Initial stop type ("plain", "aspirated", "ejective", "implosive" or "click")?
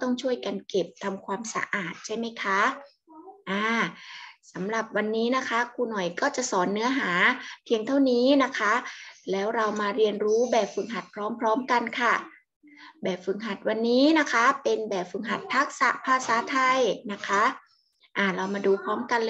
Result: plain